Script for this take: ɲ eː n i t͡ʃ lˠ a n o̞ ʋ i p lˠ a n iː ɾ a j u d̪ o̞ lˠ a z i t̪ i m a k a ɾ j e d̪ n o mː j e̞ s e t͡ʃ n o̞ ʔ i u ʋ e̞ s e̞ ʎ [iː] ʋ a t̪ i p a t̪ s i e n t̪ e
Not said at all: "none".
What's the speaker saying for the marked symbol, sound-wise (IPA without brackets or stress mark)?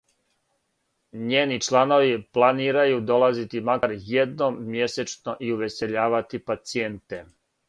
aː